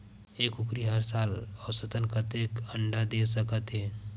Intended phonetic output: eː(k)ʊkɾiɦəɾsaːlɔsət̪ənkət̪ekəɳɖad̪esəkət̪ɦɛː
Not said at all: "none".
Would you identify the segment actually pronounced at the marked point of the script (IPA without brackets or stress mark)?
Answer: k